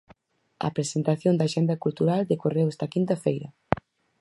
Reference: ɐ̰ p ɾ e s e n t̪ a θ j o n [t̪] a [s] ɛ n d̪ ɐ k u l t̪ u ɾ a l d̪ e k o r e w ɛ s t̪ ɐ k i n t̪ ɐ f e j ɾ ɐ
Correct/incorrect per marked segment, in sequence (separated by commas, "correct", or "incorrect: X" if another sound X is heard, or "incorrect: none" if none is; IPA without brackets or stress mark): incorrect: d̪, incorrect: ʃ